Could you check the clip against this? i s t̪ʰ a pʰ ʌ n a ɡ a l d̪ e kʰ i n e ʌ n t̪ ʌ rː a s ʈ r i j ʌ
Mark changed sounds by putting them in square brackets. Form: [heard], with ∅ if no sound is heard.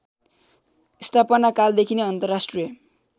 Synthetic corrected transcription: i s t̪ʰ a [p] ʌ n a [k] a l d̪ e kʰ i n e ʌ n t̪ ʌ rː a s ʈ r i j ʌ

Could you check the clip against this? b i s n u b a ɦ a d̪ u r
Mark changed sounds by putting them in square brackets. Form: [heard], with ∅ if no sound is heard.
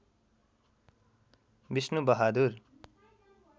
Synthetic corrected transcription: b i s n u b [ʌ] ɦ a d̪ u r

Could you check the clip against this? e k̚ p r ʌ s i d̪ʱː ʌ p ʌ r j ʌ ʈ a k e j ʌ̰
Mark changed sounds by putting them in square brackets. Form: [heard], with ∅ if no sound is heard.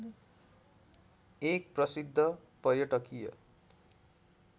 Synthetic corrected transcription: e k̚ p r ʌ s i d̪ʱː ʌ p ʌ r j ʌ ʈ [ʌ] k [i] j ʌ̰

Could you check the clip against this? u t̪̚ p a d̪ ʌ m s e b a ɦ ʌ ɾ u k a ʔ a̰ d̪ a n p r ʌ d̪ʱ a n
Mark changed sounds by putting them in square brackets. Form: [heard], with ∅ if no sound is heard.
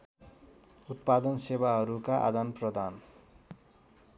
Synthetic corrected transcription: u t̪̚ p a d̪ ʌ [n] s e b a ɦ ʌ ɾ u k a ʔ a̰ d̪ a n p r ʌ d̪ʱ a n

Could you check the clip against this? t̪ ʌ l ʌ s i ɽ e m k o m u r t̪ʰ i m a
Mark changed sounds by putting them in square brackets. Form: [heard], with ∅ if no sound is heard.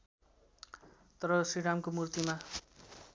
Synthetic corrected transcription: t̪ ʌ [ɾ] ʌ s i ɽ [a] m k o m u r [t̪] i m a

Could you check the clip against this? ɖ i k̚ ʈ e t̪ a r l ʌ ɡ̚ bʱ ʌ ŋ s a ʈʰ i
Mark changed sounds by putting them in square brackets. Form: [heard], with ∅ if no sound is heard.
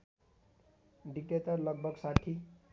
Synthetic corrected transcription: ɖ i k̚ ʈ e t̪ [ʌ] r l ʌ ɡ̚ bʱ ʌ [ɡ] s a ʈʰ i

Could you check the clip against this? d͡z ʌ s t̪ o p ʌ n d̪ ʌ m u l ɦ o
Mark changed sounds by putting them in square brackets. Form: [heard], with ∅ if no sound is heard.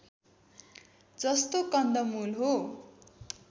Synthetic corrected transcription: d͡z ʌ s t̪ o [k] ʌ n d̪ ʌ m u l ɦ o

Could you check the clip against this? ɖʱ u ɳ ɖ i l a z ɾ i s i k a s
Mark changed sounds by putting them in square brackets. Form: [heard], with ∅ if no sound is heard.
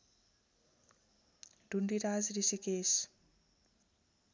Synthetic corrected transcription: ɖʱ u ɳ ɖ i [ɾ] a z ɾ i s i k [e] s

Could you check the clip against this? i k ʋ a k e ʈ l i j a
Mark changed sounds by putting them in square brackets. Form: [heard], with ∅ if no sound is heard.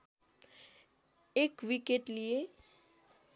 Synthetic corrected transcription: [e] k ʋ [i] k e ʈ l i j [e]

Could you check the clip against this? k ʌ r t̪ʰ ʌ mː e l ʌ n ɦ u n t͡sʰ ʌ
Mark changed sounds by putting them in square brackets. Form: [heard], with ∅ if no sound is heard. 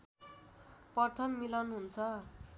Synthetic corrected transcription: [p] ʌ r t̪ʰ ʌ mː [i] l ʌ n ɦ u n t͡sʰ ʌ

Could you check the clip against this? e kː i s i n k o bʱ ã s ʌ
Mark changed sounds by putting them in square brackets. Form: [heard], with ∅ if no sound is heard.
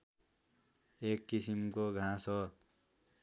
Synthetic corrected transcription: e kː i s i [m] k o [ɡʱ] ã s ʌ

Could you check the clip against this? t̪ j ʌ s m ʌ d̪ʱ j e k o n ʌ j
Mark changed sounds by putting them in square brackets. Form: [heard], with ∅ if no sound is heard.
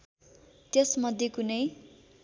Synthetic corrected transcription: t̪ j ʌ s m ʌ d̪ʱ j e k [u] n ʌ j

